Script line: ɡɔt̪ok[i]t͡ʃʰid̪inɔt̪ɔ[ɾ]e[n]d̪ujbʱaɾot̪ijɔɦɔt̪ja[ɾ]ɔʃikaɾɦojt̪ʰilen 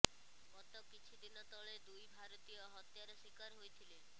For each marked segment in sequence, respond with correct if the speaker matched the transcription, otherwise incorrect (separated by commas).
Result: correct, incorrect, incorrect, correct